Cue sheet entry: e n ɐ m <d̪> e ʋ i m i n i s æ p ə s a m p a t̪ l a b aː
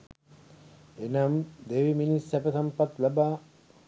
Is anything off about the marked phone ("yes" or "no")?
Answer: no